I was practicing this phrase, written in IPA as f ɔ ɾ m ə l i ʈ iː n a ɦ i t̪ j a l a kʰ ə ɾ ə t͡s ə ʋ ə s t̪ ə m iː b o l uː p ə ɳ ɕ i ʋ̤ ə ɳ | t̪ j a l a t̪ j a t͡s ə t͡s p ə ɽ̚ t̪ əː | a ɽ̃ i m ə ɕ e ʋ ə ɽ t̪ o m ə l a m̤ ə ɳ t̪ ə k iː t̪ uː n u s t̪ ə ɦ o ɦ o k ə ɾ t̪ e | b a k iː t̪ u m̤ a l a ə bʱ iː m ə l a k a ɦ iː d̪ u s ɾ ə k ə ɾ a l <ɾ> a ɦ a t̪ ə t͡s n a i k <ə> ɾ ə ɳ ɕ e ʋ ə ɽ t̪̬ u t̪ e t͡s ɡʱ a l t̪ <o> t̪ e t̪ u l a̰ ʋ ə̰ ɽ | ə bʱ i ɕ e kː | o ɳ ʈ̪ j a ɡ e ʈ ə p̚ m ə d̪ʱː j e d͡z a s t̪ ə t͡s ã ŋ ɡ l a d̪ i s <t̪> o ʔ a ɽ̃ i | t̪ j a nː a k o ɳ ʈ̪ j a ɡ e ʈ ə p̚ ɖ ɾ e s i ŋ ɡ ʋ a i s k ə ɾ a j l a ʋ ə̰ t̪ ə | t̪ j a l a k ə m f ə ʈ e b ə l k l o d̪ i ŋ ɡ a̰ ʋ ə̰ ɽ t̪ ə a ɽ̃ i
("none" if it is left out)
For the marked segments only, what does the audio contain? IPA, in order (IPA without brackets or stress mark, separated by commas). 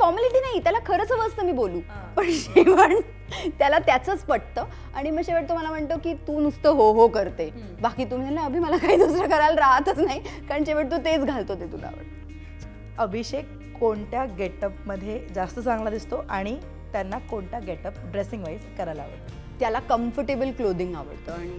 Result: ɾ, a, o, t̪